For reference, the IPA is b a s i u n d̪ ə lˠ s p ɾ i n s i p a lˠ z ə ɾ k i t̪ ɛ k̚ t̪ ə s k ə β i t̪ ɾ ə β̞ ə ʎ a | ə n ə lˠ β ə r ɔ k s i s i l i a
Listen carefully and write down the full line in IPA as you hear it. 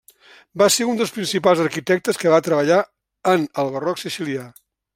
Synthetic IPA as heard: b a s e u n d̪ ə lˠ s p ɾ i n s i p a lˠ z ə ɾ k i t̪ ɛ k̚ t̪ ə s k ə β a t̪ ɾ ə β̞ ə ʎ a | ə n ə lˠ β ə r ɔ k s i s i l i a